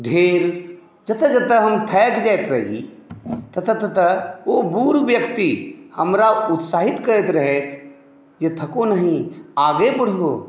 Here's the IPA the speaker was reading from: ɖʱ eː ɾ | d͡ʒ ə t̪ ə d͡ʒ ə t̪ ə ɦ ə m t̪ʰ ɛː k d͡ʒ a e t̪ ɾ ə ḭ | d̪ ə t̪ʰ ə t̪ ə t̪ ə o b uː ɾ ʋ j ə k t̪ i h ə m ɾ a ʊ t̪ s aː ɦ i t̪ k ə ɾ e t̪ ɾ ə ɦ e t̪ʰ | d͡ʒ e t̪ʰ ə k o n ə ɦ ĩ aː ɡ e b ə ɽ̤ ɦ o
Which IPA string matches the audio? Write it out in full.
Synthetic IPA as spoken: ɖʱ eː ɾ | d͡ʒ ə t̪ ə d͡ʒ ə t̪ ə ɦ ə m t̪ʰ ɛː k d͡ʒ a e t̪ ɾ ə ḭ | t̪ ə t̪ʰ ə t̪ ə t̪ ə o b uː ɾ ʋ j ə k t̪ i h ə m ɾ a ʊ t̪ s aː ɦ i t̪ k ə ɾ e t̪ ɾ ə ɦ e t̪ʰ | d͡ʒ e t̪ʰ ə k o n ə ɦ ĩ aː ɡ e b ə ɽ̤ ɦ o

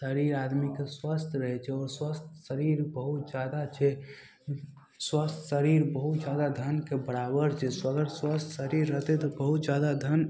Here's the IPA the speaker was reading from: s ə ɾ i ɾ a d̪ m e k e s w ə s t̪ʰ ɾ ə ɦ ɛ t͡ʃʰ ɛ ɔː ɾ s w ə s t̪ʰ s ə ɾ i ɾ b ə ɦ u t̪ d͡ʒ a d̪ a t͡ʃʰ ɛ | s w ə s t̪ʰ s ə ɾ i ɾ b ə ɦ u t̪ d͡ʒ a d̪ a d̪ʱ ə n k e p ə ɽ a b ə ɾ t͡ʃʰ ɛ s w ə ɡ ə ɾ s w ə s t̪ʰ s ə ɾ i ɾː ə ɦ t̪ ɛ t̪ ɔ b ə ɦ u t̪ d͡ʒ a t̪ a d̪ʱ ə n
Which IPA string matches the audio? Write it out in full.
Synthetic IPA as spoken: s ə ɾ i ɾ a d̪ m i k e s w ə s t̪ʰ ɾ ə ɦ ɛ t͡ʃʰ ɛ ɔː ɾ s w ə s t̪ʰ s ə ɾ i ɾ b ə ɦ u t̪ d͡ʒ a d̪ a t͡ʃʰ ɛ | s w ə s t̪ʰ s ə ɾ i ɾ b ə ɦ u t̪ d͡ʒ a d̪ a d̪ʱ ə n k e b ə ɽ a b ə ɾ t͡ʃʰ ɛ s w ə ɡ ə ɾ s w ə s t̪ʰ s ə ɾ i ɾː ə ɦ t̪ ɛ t̪ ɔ b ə ɦ u t̪ d͡ʒ a d̪ a d̪ʱ ə n

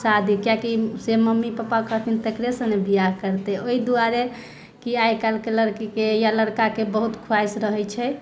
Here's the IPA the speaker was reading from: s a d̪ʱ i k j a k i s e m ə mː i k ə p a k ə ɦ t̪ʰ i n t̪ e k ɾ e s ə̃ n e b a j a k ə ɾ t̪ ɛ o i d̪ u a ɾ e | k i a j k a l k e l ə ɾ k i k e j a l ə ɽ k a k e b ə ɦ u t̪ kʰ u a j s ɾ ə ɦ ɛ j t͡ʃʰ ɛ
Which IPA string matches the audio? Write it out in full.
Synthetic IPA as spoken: s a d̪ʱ i k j a k i s e m ə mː i p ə p a k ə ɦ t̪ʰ i n t̪ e k ɾ e s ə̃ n e b i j a k ə ɾ t̪ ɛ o i d̪ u a ɾ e | k i a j k a l k e l ə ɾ k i k e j a l ə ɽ k a k e b ə ɦ u t̪ kʰ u a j s ɾ ə ɦ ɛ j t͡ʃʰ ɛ

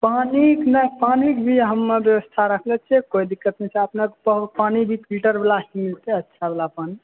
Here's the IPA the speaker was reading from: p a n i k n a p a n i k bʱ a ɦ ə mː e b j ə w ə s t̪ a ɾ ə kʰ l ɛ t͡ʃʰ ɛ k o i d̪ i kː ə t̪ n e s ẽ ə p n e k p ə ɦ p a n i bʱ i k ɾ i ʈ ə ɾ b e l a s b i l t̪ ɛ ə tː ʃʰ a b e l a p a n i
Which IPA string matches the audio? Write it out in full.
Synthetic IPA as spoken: p a n i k n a p a n i k bʱ i ɦ ə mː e b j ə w ə s t̪ʰ a ɾ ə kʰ l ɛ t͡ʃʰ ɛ k o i d̪ i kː ə t̪ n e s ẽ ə p n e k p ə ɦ p a n i bʱ i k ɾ i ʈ ə ɾ b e l a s m i l t̪ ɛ ə tː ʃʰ a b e l a p a n i

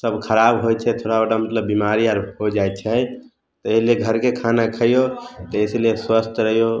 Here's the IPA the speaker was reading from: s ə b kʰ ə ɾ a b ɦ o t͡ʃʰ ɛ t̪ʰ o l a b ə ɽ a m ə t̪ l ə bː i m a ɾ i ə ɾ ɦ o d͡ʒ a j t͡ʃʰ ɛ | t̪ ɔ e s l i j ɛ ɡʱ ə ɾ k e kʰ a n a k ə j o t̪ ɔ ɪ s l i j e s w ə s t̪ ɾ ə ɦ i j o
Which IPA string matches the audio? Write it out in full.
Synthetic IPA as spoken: s ə b kʰ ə ɾ a b ɦ o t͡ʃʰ ɛ t̪ʰ o ɽ a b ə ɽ a m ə t̪ l ə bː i m a ɾ i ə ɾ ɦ o d͡ʒ a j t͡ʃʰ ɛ | t̪ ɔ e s l i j e ɡʱ ə ɾ k e kʰ a n a kʰ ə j o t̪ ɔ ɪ s l i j e s w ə s t̪ ɾ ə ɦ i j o

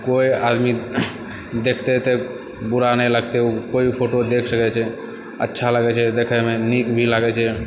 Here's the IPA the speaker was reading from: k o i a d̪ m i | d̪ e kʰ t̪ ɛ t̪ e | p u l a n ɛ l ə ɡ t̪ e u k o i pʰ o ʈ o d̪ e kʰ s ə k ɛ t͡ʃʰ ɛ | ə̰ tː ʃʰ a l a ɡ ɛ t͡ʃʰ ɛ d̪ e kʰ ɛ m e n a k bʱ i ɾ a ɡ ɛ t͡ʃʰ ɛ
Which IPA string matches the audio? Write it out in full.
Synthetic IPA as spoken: k o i a d̪ m i | d̪ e kʰ t̪ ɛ t̪ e | b u ɾ a n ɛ l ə ɡ t̪ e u k o i pʰ o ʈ o d̪ e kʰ s ə k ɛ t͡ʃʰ ɛ | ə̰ tː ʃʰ a l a ɡ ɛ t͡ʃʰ ɛ d̪ e kʰ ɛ m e n i k bʱ i l a ɡ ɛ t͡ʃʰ ɛ

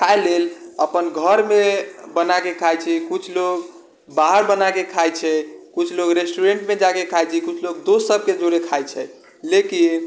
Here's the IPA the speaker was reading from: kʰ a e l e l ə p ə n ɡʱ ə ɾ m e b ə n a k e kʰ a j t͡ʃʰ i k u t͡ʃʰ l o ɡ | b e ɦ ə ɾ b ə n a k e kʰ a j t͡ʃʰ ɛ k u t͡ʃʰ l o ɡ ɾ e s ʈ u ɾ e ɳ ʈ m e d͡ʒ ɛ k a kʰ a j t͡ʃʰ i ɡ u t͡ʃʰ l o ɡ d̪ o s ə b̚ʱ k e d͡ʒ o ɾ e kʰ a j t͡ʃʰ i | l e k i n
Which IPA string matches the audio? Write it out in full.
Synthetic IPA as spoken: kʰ a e l e l ə p ə n ɡʱ ə ɾ m e b ə n a k e kʰ a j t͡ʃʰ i k u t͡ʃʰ l o ɡ | b a ɦ ə ɾ b ə n a k e kʰ a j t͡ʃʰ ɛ k u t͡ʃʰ l o ɡ ɾ e s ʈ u ɾ e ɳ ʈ m e d͡ʒ a k e kʰ a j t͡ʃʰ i k u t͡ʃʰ l o ɡ d̪ o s ə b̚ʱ k e d͡ʒ o ɾ e kʰ a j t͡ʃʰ ɛ | l e k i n

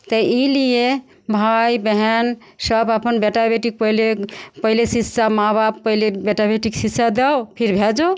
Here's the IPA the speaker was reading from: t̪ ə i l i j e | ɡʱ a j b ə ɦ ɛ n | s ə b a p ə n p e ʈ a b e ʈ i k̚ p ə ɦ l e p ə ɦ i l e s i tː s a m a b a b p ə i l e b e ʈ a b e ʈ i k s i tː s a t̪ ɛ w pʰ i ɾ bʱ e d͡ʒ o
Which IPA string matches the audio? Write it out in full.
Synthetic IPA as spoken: t̪ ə i l i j e | bʱ a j b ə ɦ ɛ n | s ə b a p ə n b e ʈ a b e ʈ i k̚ p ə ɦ l e p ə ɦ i l e s i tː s a m a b a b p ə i l e b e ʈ a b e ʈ i k s i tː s a d̪ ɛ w pʰ i ɾ bʱ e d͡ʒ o

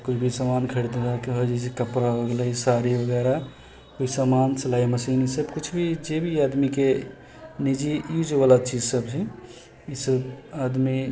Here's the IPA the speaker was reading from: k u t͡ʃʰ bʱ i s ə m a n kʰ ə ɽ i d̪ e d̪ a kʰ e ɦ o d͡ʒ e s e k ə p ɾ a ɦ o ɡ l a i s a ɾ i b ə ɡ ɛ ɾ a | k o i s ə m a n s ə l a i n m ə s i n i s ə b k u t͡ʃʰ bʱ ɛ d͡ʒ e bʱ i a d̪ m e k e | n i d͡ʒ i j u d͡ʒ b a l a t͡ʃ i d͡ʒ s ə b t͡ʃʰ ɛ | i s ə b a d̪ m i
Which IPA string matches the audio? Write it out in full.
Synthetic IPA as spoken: k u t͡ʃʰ bʱ i s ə m a n kʰ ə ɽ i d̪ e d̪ a k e ɦ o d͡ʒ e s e k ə p ɾ a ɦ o ɡ l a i s a ɾ i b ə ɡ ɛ ɾ a | k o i s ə m a n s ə l a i m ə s i n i s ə b k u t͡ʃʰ bʱ i d͡ʒ e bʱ i a d̪ m i k e | n i d͡ʒ i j u d͡ʒ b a l a t͡ʃ i d͡ʒ s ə b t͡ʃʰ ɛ | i s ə b a d̪ m i

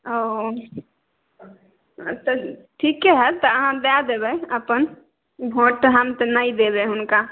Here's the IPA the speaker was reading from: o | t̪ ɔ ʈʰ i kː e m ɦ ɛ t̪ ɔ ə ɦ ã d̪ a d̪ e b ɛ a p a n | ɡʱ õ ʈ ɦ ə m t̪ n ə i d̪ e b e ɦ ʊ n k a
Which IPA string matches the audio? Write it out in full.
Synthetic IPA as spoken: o | t̪ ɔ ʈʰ i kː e ɦ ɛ t̪ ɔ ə ɦ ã d̪ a d̪ e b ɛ ə p ə n | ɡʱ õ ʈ ɦ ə m t̪ n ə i d̪ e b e ɦ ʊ n k a

